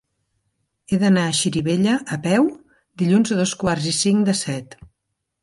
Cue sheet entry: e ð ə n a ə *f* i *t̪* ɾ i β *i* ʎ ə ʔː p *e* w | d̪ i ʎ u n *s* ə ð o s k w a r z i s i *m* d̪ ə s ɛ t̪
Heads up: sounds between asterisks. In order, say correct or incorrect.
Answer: incorrect: ʃ, incorrect: none, incorrect: e, incorrect: ɛ, incorrect: z, incorrect: ŋ

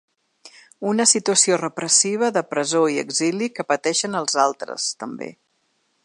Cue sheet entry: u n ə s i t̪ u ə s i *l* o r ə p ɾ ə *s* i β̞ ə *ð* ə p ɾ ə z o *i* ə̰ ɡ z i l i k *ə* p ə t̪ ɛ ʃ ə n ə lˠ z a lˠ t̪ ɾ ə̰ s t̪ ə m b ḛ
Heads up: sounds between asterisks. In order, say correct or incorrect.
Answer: incorrect: none, correct, correct, correct, correct

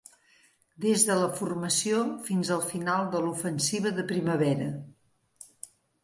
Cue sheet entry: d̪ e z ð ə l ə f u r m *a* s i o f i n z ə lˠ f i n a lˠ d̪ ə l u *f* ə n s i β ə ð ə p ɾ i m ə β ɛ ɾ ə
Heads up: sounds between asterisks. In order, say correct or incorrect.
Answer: incorrect: ə, correct

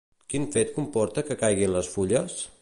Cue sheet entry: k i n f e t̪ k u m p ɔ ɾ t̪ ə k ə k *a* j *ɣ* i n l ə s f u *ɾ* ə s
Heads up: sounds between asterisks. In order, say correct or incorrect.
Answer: correct, correct, incorrect: ʎ

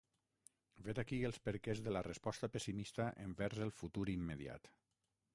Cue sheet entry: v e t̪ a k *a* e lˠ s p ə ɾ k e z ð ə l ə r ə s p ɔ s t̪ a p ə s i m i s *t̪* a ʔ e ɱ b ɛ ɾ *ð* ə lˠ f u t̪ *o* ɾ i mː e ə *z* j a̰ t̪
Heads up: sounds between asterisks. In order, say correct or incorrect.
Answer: incorrect: i, correct, incorrect: z, incorrect: u, incorrect: ð

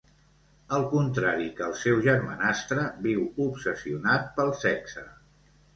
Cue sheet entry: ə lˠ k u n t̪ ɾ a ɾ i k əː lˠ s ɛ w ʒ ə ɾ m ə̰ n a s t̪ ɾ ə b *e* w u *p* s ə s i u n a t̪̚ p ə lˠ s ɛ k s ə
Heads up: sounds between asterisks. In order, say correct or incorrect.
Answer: incorrect: i, correct

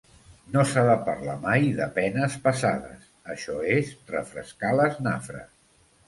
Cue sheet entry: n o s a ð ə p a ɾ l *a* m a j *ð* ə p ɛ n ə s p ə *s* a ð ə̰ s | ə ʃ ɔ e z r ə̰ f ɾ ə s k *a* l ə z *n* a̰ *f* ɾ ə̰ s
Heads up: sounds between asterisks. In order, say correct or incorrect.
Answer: correct, correct, correct, correct, correct, correct

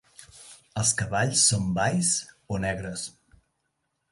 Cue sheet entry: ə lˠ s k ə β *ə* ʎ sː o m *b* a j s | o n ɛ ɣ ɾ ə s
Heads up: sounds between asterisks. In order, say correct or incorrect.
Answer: incorrect: a, correct

